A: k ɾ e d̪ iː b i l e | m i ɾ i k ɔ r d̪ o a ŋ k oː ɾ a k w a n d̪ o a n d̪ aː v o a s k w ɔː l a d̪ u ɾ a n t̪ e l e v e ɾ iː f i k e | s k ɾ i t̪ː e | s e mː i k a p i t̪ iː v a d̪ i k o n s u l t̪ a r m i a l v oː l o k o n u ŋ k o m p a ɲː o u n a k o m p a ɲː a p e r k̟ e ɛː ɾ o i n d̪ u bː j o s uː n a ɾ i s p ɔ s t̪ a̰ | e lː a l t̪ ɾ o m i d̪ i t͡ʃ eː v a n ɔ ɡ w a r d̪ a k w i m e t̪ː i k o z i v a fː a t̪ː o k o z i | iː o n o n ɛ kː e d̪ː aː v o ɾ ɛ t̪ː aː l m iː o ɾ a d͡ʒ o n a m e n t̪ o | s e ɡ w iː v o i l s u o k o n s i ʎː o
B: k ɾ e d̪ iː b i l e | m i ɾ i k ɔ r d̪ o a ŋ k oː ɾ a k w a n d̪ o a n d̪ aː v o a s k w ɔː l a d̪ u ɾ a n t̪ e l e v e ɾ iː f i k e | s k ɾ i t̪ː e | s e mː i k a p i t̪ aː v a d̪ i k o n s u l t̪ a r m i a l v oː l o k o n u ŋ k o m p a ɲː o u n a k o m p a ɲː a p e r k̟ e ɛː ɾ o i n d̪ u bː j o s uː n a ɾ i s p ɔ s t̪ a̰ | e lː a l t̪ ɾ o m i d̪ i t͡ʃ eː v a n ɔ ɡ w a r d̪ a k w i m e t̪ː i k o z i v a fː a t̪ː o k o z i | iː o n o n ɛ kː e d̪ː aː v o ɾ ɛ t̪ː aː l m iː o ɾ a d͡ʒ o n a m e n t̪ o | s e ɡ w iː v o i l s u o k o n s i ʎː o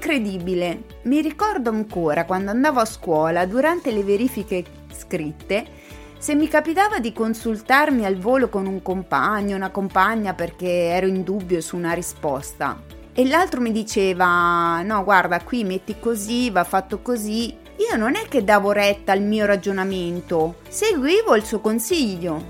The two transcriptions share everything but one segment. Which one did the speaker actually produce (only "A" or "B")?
B